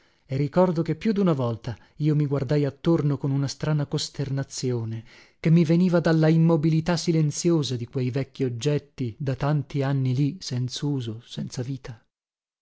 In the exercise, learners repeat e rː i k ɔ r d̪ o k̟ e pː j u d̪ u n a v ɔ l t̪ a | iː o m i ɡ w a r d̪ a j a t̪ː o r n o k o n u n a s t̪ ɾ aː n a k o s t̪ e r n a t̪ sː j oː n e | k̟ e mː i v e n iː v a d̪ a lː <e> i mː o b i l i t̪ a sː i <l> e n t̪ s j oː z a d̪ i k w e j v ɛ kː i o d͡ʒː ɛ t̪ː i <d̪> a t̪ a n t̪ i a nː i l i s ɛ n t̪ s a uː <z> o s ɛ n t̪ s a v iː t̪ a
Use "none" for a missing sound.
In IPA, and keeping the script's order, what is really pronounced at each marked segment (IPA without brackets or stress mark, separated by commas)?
a, l, d̪, z